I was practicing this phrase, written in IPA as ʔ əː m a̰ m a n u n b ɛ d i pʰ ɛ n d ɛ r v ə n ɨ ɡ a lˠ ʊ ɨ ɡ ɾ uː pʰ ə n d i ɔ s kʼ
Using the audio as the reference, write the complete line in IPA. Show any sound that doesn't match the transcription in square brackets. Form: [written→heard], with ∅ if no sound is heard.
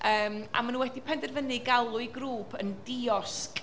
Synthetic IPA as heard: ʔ əː m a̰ m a n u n [b→w] ɛ d i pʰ ɛ n d ɛ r v ə n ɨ ɡ a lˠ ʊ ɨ ɡ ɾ uː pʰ ə n d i ɔ s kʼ